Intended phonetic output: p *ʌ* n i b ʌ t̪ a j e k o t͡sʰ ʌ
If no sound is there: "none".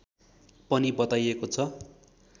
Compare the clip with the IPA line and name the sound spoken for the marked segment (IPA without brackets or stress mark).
ʌ